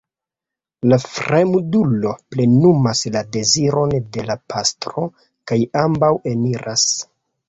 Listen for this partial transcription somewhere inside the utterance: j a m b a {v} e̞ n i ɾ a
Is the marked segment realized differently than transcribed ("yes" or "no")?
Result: yes